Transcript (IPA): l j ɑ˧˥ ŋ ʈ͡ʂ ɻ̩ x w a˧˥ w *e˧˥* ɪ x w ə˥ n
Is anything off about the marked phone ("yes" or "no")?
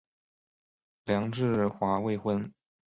yes